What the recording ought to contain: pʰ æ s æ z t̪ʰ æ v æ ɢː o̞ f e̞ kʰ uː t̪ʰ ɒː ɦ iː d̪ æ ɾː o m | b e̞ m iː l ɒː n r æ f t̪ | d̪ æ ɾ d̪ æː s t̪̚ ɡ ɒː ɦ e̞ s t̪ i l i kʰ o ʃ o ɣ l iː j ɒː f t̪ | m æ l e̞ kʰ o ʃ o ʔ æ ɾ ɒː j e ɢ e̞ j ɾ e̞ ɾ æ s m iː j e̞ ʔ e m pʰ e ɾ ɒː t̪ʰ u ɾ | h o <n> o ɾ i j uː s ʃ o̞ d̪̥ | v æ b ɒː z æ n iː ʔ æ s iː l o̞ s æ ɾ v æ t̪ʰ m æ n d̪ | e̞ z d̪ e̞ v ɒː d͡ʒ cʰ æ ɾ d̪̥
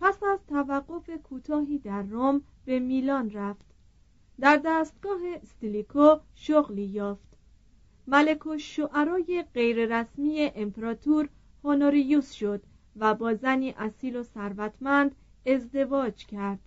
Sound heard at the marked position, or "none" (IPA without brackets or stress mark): n